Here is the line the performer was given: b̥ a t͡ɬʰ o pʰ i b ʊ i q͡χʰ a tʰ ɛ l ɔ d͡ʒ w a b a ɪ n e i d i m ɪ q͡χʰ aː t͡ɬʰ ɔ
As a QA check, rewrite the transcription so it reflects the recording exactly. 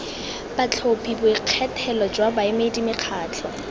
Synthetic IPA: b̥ a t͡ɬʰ o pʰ i b ʊ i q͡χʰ ɛ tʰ ɛ l ɔ d͡ʒ w a b a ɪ m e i d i m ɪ q͡χʰ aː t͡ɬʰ ɔ

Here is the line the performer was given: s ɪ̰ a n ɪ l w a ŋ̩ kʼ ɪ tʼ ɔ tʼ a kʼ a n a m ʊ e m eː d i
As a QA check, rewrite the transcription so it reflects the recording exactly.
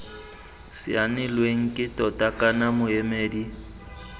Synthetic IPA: s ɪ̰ a n ɪ l w e ŋ̩ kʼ ɪ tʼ ɔ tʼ a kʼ a n a m ʊ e m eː d i

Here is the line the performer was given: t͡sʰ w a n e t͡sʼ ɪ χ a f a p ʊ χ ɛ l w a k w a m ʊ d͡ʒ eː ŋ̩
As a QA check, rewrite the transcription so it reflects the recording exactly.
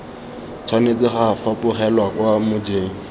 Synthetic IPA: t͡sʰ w a n e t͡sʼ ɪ χ a f a p ʊ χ ɛ l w a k w a m ʊ d͡ʒ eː ŋ̩

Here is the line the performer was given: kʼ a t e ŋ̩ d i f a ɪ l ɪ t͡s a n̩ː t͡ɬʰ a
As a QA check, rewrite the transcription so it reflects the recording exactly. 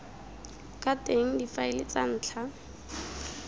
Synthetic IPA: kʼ a t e ŋ̩ d i f a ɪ l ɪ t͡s a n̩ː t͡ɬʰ a

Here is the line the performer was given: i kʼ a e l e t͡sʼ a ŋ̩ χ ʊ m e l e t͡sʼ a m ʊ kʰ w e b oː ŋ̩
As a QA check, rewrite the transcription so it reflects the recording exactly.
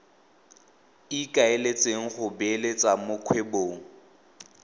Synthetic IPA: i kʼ a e l e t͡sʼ e ŋ̩ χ ʊ b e l e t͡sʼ a m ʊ kʰ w e b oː ŋ̩

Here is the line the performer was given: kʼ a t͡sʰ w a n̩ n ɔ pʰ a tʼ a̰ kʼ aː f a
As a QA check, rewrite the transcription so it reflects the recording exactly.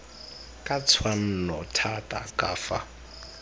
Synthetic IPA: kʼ a t͡sʰ w a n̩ n ɔ tʰ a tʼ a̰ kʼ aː f a

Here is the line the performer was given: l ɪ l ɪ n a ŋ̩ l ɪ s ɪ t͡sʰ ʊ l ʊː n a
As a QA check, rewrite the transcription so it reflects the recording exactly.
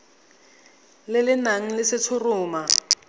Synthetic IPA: l ɪ l ɪ n a ŋ̩ l ɪ s ɪ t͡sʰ ʊ r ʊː m a

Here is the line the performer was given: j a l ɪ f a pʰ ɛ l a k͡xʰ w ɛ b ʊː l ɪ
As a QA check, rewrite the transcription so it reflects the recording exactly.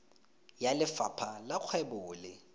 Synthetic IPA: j a l ɪ f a pʰ a l a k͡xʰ w ɛ b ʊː l ɪ

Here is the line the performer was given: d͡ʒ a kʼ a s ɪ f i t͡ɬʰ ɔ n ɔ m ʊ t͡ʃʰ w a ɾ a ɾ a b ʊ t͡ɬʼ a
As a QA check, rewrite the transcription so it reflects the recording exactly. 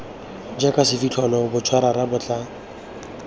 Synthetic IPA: d͡ʒ a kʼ a s ɪ f i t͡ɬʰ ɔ n ɔ b ʊ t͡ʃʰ w a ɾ a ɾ a b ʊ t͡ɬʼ a

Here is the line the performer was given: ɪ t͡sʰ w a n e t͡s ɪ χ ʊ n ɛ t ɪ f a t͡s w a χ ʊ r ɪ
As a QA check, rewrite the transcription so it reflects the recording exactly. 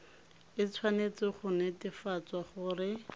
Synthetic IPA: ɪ t͡sʰ w a n e t͡s ɪ χ ʊ n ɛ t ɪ f a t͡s w a χ ʊ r ɪ

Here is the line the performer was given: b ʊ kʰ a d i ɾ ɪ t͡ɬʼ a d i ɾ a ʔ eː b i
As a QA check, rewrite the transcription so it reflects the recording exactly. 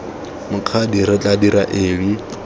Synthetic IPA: m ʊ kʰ a d i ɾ ɪ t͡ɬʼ a d i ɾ a ʔ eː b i

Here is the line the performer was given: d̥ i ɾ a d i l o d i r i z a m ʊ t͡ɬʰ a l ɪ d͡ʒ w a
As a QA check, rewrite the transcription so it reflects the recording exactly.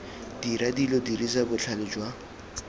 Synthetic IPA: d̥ i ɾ a d i l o d i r i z a b ʊ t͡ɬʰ a l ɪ d͡ʒ w a

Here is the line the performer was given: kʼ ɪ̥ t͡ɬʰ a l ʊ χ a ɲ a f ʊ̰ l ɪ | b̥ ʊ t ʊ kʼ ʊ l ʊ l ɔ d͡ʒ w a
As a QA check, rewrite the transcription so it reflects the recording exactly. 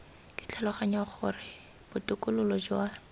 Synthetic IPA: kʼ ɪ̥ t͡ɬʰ a l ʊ χ a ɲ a χ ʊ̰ r ɪ | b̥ ʊ t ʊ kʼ ʊ l ʊ l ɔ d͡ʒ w a

